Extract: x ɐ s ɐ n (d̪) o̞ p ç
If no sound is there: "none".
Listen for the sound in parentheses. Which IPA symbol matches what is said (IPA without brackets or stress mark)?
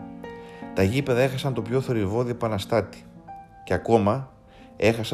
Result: t̪